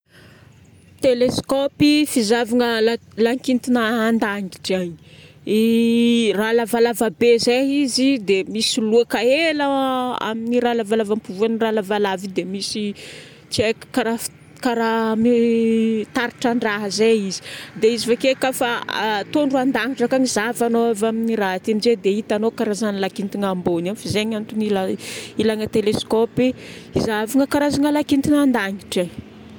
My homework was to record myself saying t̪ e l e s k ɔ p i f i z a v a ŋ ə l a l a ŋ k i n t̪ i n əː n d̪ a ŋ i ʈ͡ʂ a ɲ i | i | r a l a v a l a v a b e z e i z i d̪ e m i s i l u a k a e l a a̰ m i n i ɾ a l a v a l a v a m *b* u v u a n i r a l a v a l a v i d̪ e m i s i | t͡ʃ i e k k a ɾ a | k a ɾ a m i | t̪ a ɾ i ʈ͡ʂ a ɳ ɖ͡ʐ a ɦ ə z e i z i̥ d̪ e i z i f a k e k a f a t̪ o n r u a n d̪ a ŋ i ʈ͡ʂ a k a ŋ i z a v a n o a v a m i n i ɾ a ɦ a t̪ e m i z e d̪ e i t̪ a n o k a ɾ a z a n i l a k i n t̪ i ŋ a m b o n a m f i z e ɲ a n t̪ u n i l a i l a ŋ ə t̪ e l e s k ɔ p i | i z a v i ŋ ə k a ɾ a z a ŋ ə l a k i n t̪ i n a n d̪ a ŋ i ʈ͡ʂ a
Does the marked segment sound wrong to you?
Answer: yes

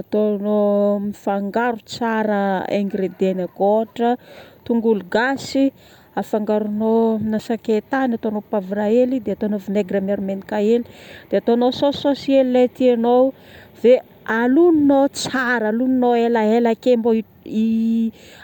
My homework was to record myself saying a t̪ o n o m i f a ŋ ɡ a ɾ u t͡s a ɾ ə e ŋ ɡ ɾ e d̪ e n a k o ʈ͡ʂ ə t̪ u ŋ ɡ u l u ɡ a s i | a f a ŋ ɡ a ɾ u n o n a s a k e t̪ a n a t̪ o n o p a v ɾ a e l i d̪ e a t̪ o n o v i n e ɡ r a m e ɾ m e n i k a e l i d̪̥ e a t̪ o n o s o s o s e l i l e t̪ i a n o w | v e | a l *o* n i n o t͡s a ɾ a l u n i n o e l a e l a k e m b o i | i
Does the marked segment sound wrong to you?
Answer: yes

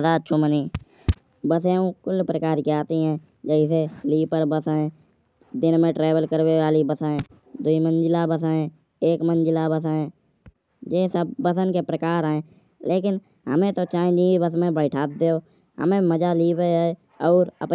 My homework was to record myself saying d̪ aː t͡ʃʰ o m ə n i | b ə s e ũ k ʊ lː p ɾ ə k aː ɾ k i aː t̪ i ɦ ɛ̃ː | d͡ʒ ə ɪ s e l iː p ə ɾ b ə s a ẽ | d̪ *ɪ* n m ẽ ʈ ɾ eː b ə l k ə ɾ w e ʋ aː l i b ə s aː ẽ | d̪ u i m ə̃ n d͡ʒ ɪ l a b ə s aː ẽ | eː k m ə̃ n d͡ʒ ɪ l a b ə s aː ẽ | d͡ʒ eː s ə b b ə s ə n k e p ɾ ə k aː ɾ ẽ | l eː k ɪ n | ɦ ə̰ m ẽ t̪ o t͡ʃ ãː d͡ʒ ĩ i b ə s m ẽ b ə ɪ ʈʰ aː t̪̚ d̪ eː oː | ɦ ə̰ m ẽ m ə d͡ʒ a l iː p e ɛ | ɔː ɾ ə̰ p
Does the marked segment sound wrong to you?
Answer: no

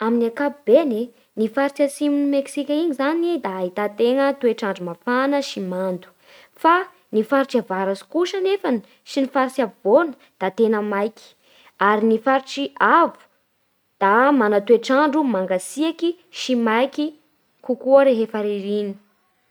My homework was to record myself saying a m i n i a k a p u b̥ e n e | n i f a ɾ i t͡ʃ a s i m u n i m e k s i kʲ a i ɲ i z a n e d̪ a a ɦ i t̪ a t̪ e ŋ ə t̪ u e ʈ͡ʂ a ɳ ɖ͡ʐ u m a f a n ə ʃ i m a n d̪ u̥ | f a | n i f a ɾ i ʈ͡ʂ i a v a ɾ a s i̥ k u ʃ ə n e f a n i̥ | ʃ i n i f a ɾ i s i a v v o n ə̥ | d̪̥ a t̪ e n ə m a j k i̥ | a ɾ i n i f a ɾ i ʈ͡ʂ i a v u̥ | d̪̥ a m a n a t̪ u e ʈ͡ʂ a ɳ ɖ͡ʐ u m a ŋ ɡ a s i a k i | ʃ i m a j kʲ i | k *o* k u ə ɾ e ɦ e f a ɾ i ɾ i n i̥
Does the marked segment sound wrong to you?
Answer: yes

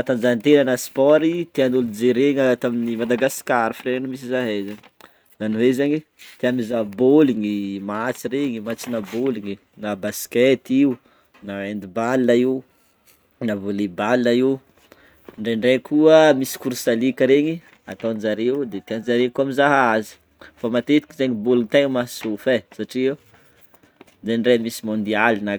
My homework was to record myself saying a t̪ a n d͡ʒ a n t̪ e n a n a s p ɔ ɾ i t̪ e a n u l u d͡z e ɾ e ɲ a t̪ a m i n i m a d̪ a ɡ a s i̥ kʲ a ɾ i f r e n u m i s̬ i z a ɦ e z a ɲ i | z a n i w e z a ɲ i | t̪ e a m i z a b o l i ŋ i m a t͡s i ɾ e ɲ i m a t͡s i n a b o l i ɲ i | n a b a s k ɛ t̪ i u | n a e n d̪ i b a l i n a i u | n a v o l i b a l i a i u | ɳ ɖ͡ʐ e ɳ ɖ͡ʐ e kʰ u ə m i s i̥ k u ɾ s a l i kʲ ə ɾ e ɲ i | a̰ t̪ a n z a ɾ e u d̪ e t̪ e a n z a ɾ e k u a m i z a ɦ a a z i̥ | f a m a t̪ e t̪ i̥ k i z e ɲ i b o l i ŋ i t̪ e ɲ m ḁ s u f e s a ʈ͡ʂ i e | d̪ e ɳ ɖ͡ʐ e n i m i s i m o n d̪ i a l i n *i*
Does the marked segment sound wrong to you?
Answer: yes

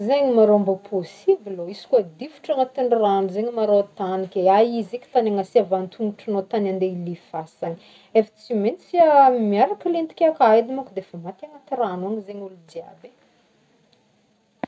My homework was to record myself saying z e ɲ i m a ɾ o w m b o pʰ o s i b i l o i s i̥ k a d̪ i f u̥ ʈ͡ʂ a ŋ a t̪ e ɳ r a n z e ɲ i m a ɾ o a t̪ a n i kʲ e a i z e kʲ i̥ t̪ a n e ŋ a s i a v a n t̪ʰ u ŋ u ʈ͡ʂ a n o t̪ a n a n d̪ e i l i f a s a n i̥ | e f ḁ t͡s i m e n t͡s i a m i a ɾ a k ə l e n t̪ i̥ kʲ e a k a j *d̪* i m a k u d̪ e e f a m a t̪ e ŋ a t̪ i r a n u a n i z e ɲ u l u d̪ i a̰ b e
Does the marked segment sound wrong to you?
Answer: no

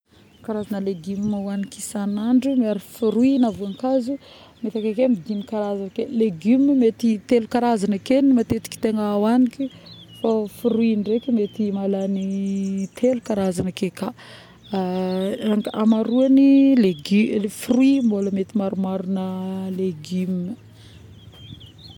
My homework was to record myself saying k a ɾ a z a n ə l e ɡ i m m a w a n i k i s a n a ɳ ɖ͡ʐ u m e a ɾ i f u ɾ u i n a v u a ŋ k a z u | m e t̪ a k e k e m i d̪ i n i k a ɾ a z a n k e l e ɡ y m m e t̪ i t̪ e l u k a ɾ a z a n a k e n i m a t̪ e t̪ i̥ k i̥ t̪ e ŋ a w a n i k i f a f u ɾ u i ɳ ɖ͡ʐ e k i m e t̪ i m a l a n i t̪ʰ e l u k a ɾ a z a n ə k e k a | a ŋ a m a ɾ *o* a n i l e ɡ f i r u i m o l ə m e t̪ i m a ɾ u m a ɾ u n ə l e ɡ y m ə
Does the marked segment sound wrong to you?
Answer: yes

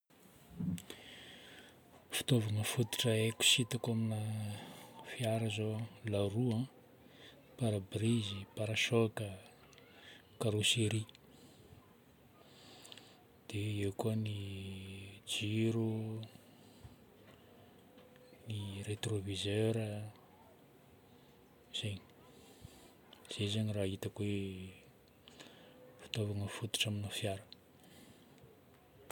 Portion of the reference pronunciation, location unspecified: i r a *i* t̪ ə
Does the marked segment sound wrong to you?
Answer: no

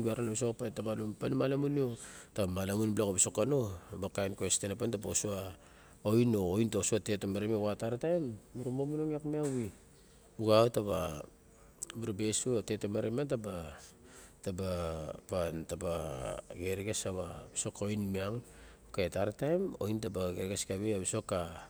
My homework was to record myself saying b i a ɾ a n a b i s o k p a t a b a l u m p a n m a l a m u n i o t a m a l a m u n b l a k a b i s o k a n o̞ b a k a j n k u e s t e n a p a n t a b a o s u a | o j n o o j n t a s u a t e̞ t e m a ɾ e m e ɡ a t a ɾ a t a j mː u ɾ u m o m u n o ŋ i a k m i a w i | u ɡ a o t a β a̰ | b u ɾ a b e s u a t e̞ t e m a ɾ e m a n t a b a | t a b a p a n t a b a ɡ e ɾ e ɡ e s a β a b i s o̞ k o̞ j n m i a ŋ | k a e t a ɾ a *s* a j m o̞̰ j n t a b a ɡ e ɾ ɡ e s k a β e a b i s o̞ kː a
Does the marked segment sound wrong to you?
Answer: yes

